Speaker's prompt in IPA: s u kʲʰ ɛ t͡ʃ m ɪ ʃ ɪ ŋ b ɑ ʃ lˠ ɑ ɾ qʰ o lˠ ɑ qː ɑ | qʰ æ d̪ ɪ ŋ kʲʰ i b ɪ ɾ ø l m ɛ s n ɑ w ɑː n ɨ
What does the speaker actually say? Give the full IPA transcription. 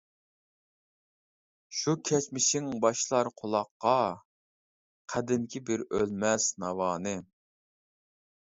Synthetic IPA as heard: ʃ u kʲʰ ɛ t͡ʃ m ɪ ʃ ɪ ŋ b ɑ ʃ lˠ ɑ ɾ qʰ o lˠ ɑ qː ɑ | qʰ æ d̪ ɪ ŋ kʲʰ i b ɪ ɾ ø l m ɛ s n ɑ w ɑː n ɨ

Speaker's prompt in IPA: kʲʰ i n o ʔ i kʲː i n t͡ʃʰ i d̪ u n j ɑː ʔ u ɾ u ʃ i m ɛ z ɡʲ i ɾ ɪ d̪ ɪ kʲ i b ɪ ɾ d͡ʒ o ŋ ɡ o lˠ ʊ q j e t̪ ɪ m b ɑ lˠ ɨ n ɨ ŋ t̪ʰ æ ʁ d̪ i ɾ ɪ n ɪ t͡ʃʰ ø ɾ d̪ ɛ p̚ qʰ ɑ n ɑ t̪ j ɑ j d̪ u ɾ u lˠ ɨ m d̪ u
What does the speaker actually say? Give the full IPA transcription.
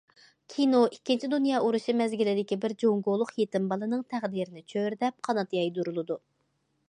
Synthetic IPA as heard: kʲʰ i n o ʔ i kʲː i n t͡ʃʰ i d̪ u n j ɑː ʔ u ɾ u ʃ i m ɛ z ɡʲ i l ɪ d̪ ɪ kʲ i b ɪ ɾ d͡ʒ o ŋ ɡ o lˠ ʊ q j e t̪ ɪ m b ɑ lˠ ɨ n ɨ ŋ t̪ʰ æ ʁ d̪ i ɾ ɪ n ɪ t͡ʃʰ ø ɾ d̪ ɛ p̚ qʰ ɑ n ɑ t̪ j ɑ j d̪ u ɾ u lˠ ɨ d̪ u

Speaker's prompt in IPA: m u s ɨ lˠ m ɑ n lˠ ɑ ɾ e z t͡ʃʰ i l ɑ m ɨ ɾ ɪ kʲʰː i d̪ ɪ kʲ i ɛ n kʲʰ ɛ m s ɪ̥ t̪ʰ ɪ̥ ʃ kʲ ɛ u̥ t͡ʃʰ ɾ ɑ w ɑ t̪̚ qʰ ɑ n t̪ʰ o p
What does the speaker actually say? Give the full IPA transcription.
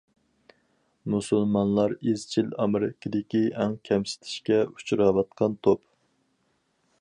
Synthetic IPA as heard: m u s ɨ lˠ m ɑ n lˠ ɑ ɾ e z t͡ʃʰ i l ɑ m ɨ ɾ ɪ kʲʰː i d̪ ɪ kʲ i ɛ ŋ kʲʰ ɛ m s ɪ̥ t̪ʰ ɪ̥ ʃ kʲ ɛ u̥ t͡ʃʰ ɾ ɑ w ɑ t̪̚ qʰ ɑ n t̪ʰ o p

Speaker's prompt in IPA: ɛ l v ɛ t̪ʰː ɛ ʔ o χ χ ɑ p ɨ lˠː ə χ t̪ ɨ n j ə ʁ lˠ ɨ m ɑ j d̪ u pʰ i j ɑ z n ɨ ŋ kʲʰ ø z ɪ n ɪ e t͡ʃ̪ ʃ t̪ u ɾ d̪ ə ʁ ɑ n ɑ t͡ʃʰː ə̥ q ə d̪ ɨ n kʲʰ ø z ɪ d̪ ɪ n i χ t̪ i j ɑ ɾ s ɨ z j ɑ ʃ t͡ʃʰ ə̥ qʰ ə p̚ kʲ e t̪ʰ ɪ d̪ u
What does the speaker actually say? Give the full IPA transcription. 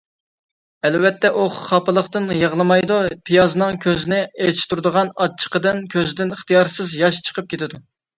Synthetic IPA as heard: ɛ l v ɛ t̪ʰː ɛ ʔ o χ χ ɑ p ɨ lˠ ə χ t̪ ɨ n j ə ʁ lˠ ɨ m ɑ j d̪ u pʰ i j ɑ z n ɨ ŋ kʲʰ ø z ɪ n ɪ e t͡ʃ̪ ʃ t̪ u ɾ d̪ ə ʁ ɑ n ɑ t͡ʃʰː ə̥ q ə d̪ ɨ n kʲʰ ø z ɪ d̪ ɪ n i χ t̪ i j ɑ ɾ s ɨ z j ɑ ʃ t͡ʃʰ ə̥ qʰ ə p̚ kʲ e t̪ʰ ɪ d̪ u

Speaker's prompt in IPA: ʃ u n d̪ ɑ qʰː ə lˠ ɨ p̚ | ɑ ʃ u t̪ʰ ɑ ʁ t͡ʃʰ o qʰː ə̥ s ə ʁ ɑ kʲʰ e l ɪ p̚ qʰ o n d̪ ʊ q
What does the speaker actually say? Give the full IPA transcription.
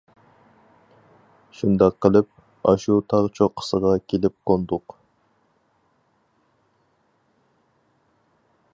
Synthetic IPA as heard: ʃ u n d̪ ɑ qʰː ə lˠ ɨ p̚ | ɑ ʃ u t̪ʰ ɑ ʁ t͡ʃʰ o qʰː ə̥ s ə ʁ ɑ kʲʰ e l ɪ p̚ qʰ o n d̪ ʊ q

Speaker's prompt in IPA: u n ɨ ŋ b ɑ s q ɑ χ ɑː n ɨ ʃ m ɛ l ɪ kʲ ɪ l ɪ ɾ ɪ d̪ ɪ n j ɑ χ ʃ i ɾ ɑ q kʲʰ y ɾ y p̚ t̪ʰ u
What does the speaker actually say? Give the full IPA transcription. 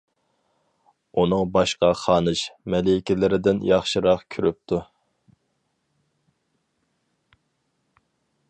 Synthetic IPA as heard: u n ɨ ŋ b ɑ ʃ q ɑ χ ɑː n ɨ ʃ m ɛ l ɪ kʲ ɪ l ɪ ɾ ɪ d̪ ɪ n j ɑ χ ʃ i ɾ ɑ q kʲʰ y ɾ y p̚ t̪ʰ u

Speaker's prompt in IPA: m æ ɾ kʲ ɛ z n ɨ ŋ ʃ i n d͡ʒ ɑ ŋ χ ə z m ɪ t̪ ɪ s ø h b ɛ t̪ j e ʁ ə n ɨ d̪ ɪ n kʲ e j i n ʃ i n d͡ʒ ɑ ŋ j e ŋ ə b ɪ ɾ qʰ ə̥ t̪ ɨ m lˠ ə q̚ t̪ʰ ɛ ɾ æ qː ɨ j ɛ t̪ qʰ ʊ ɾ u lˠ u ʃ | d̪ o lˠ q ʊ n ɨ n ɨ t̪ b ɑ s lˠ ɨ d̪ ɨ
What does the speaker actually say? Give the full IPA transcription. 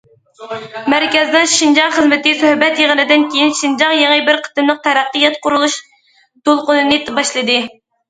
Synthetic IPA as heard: m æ ɾ kʲ ɛ z n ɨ ŋ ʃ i n d͡ʒ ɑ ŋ χ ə z m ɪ t̪ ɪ s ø h b ɛ t̪ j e ʁ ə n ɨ d̪ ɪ n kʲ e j i n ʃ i n d͡ʒ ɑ ŋ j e ŋ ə b ɪ ɾ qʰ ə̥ t̪ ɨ m lˠ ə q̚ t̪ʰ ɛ ɾ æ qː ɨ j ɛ t̪ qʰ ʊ ɾ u lˠ u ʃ | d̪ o lˠ q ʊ n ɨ n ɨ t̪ b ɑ ʃ lˠ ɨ d̪ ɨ

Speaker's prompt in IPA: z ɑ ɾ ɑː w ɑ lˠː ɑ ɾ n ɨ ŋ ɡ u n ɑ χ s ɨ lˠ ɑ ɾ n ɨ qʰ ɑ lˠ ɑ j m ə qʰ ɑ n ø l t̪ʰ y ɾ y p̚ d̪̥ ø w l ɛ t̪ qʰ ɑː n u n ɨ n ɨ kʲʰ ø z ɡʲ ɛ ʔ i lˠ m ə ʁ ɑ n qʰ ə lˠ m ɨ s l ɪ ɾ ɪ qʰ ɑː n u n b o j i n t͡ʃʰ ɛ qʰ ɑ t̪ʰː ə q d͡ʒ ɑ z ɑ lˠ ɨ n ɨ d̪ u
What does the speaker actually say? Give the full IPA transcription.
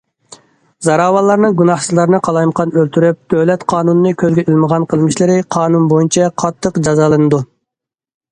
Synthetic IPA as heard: z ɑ ɾ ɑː w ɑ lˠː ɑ ɾ n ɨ ŋ ɡ u n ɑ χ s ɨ lˠ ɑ ɾ n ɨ qʰ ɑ lˠ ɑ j m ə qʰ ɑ n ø l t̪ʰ y ɾ y p̚ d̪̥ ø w l ɛ t̪ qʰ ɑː n u n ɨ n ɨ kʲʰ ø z ɡʲ ɛ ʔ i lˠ m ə ʁ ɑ n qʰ ə lˠ m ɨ ʃ l ɪ ɾ ɪ qʰ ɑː n u n b o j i n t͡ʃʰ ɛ qʰ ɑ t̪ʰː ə q d͡ʒ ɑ z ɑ lˠ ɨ n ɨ d̪ u

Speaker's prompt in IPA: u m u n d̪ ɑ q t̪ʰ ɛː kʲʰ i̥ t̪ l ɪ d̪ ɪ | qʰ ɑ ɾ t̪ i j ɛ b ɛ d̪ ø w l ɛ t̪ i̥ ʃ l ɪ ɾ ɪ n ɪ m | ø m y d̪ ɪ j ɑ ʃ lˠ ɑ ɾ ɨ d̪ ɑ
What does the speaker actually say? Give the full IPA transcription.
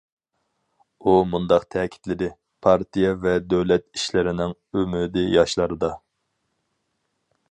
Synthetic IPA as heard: u m u n d̪ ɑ q t̪ʰ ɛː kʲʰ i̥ t̪ l ɪ d̪ ɪ | pʰ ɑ ɾ t̪ i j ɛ v ɛ d̪ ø w l ɛ t̪ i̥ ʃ l ɪ ɾ ɪ n ɪ ŋ | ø m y d̪ ɪ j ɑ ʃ lˠ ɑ ɾ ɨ d̪ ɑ

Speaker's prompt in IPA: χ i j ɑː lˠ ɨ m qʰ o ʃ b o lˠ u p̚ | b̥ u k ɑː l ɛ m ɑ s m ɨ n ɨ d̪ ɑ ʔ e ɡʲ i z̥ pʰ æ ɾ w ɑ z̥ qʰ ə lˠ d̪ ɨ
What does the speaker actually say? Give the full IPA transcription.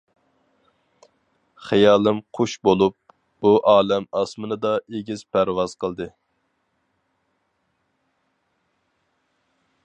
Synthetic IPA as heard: χ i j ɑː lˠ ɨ m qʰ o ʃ b o lˠ u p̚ | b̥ u ʔ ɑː l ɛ m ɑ s m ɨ n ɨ d̪ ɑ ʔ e ɡʲ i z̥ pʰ æ ɾ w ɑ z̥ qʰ ə lˠ d̪ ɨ

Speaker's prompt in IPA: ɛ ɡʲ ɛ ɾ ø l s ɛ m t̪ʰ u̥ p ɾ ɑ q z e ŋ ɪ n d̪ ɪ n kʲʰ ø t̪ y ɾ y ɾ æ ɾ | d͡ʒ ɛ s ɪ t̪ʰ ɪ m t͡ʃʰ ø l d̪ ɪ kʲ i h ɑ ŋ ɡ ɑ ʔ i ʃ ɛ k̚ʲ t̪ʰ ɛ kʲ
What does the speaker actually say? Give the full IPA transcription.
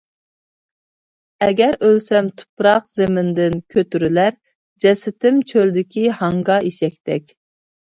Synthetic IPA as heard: ɛ ɡʲ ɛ ɾ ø l s ɛ m t̪ʰ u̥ p ɾ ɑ q z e m ɪ n d̪ ɪ n kʲʰ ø t̪ y ɾ y l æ ɾ | d͡ʒ ɛ s ɪ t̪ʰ ɪ m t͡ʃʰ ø l d̪ ɪ kʲ i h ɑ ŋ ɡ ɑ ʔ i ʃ ɛ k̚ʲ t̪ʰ ɛ kʲ

